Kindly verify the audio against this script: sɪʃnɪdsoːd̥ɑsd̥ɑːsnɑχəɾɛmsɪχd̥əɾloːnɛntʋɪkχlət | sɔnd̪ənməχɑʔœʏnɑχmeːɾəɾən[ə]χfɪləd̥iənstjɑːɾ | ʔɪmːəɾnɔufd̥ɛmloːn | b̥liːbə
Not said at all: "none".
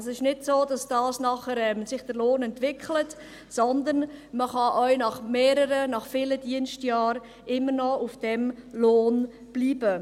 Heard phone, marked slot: ɑ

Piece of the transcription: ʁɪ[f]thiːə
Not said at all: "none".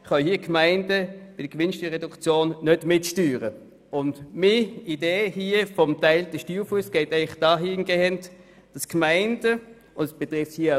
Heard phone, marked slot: f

